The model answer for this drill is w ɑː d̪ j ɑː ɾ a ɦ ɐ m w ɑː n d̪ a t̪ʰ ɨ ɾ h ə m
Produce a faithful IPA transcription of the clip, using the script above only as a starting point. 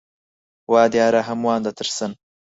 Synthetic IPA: w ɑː d̪ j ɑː ɾ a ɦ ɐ m w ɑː n d̪ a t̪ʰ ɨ ɾ s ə n

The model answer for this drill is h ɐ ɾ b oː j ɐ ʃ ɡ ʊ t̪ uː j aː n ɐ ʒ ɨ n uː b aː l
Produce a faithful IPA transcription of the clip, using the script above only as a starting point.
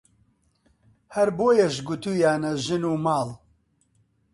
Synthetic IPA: h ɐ ɾ b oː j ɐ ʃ ɡ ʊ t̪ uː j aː n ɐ ʒ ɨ n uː m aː l

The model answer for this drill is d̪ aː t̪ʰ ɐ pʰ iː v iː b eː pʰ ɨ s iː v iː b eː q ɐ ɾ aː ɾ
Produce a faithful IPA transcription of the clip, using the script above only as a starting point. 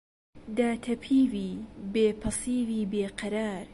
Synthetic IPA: d̪ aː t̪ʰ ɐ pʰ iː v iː b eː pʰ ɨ s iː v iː b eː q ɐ ɾ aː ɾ

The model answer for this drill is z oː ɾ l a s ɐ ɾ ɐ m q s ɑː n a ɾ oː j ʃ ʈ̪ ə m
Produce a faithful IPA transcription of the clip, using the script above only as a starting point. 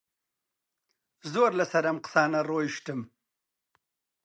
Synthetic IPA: z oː ɾ l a s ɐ ɾ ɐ m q s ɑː n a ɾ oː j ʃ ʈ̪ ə m

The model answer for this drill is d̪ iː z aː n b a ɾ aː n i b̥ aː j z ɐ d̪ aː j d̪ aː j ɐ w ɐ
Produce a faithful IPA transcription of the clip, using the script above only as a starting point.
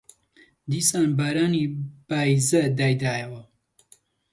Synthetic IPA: d̪ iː s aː n b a ɾ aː n i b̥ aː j z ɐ d̪ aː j d̪ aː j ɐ w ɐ

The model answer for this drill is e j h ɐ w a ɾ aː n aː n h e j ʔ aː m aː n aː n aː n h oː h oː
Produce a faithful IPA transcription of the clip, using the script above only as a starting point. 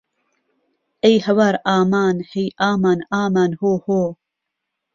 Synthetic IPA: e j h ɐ w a ɾ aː m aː n h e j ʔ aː m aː n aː m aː n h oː h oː

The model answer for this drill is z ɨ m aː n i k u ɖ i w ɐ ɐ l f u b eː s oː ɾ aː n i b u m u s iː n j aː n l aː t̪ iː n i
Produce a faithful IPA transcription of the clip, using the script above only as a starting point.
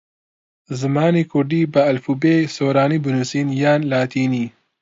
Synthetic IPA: z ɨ m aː n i k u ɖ i b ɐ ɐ l f u b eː s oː ɾ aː n i b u n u s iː n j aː n l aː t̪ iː n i

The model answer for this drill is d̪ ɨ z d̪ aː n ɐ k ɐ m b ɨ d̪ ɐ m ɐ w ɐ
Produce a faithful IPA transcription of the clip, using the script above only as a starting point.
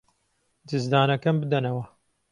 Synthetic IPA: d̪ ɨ z d̪ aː n ɐ k ɐ m b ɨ d̪ ɐ n ɐ w ɐ

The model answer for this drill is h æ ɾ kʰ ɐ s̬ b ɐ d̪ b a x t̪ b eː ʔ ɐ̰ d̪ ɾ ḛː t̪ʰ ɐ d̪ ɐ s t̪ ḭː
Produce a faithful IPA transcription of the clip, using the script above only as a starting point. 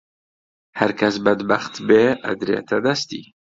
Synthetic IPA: h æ ɾ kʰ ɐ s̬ b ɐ d̪ b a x t̪ b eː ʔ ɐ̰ d̪ ɾ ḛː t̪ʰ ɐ d̪ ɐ s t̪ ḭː

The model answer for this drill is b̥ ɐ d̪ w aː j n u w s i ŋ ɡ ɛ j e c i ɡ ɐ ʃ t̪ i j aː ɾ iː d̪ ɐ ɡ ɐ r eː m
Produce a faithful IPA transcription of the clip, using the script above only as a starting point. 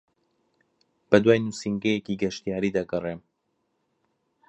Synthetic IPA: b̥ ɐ d̪ w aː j n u s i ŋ ɡ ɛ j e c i ɡ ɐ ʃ t̪ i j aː ɾ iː d̪ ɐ ɡ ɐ r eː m

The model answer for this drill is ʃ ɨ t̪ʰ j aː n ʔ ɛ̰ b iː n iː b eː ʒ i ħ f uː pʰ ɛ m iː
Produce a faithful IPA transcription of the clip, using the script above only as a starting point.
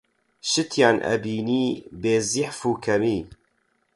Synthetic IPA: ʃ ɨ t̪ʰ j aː n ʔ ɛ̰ b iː n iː b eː z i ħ f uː kʰ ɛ m iː

